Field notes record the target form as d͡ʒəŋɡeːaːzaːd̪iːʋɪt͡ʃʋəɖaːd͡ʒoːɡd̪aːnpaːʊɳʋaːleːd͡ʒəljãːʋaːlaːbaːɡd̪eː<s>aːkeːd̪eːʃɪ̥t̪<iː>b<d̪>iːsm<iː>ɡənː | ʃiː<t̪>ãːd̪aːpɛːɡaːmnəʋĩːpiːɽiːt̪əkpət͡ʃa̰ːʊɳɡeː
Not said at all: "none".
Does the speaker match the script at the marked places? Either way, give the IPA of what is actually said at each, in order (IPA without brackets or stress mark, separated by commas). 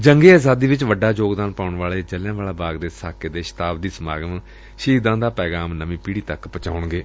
s, aː, d̪, aː, d̪